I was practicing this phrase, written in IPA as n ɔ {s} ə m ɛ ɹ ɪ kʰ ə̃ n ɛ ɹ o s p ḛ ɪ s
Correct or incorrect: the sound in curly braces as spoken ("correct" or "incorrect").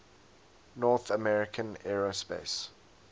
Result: incorrect